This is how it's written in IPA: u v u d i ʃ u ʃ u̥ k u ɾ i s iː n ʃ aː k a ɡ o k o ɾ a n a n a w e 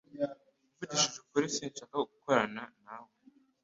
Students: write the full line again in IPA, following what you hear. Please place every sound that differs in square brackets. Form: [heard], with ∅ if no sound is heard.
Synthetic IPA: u v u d i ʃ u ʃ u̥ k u ɾ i s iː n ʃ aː k a ɡ [u] k o ɾ a n a n a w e